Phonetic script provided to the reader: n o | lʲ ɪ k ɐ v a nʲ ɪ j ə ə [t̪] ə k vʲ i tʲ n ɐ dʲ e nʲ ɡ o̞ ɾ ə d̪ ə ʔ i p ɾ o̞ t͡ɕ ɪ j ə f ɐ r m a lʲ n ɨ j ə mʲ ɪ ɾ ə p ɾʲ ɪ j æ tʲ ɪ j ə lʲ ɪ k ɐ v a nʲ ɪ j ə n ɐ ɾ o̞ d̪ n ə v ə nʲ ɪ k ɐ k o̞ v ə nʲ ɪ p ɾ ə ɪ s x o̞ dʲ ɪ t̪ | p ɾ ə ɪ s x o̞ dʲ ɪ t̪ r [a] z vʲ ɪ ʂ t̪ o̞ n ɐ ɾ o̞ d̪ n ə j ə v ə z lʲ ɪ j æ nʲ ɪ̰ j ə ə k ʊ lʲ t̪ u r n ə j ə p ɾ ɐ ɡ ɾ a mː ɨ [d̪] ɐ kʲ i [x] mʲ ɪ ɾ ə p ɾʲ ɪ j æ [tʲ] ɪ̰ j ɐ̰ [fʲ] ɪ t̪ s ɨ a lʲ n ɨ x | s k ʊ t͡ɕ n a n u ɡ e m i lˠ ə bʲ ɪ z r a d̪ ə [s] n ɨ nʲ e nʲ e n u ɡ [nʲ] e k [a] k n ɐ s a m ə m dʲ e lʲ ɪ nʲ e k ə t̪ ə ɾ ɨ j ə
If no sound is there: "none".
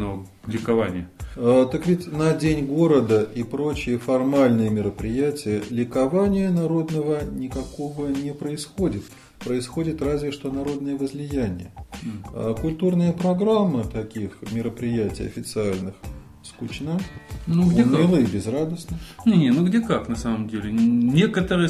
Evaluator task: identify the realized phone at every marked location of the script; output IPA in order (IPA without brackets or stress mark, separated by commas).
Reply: t̪, a, t̪, x, tʲ, fʲ, s, dʲ, a